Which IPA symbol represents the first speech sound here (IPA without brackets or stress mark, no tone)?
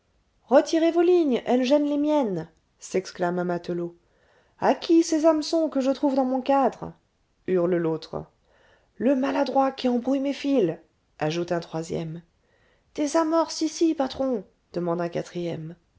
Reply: ʁ